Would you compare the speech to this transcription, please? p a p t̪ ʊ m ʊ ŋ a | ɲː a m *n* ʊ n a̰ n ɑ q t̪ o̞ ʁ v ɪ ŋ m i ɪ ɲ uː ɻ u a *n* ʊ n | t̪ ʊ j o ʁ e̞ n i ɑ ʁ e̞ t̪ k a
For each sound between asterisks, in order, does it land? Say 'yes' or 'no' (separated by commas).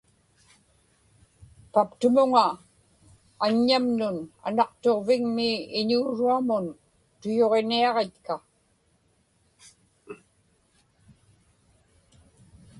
yes, no